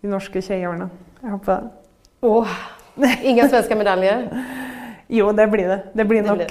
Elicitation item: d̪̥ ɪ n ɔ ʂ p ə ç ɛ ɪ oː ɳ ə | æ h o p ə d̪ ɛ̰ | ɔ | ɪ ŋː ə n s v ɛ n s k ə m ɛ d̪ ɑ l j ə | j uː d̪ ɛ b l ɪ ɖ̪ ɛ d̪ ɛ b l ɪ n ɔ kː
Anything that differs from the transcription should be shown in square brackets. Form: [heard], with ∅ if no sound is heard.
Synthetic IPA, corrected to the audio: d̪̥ ɪ n ɔ ʂ [k] ə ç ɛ ɪ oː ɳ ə | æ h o p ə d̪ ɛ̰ | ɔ | ɪ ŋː ə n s [ʋ] ɛ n s k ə m ɛ d̪ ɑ l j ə | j uː d̪ ɛ b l ɪ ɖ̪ ɛ d̪ ɛ b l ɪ n ɔ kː